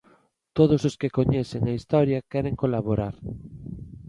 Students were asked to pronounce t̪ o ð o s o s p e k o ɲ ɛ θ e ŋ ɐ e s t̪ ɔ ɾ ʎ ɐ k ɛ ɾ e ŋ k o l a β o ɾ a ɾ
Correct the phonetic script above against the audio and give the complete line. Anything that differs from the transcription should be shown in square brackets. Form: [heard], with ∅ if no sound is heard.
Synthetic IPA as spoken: t̪ o ð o s o s [k] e k o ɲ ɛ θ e ŋ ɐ [i] s t̪ ɔ ɾ [j] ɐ k ɛ ɾ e ŋ k o l a β o ɾ a ɾ